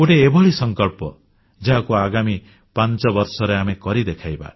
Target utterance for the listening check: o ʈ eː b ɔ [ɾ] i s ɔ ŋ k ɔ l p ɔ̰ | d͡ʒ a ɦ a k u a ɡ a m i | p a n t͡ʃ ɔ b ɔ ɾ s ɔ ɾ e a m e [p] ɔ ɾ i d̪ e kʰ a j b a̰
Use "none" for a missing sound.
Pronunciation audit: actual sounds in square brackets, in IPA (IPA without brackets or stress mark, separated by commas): ɭ, k